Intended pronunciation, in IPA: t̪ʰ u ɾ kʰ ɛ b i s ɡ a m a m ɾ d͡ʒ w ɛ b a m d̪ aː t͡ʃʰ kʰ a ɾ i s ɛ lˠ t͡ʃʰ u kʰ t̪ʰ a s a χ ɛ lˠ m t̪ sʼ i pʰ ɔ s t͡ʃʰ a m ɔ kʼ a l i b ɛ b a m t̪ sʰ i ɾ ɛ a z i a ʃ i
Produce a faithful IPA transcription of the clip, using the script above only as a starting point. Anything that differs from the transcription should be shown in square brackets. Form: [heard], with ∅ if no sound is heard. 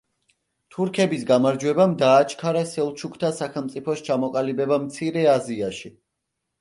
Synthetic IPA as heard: t̪ʰ u ɾ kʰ ɛ b i s ɡ a m a [∅] ɾ d͡ʒ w ɛ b a m d̪ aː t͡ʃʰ kʰ a ɾ [a] s ɛ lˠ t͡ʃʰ u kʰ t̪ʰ a s a χ ɛ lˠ m t̪ sʼ i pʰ ɔ s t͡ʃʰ a m ɔ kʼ a l i b ɛ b a m t̪ sʰ i ɾ ɛ a z i a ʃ i